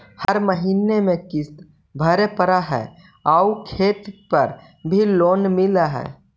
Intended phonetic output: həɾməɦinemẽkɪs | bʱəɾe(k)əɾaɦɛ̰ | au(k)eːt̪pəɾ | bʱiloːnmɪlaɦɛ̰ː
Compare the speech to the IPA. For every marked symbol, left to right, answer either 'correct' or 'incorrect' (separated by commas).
incorrect, incorrect